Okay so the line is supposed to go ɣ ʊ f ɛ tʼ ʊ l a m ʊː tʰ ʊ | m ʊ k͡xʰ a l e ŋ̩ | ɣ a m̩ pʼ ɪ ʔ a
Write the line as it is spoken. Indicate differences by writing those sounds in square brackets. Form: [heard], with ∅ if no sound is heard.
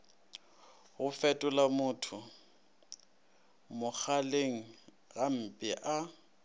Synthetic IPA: ɣ ʊ f ɛ tʼ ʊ l a m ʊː tʰ ʊ | m ʊ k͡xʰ a l e ŋ̩ | ɣ a m̩ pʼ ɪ ʔ a